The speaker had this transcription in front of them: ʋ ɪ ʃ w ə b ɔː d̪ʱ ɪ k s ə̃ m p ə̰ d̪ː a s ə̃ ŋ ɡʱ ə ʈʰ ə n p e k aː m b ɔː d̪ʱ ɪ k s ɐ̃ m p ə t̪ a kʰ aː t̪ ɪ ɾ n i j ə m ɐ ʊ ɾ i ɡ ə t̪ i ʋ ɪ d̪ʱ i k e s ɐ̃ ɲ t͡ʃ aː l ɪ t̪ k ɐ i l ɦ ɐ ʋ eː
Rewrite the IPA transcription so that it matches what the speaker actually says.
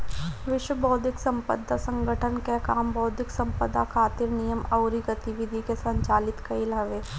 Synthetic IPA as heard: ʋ ɪ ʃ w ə b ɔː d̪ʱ ɪ k s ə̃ m p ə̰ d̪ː a s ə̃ ŋ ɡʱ ə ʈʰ ə n k e k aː m b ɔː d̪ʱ ɪ k s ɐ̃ m p ə d̪ a kʰ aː t̪ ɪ ɾ n i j ə m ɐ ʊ ɾ i ɡ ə t̪ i ʋ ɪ d̪ʱ i k e s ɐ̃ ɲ t͡ʃ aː l ɪ t̪ k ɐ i l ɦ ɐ ʋ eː